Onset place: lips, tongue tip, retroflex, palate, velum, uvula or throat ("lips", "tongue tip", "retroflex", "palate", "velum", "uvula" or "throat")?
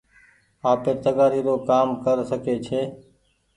lips